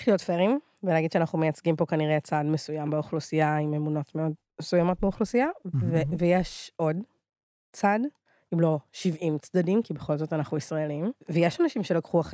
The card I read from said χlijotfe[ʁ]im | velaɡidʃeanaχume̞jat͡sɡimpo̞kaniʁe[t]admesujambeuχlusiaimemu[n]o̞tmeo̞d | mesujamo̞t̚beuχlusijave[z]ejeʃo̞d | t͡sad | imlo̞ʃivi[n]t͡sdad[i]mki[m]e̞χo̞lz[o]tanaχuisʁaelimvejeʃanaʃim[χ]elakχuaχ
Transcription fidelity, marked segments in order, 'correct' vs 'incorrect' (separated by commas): correct, incorrect, correct, incorrect, incorrect, correct, incorrect, correct, incorrect